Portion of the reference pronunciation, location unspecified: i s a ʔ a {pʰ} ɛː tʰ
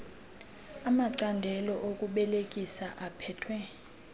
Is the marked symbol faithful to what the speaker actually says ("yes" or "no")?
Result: yes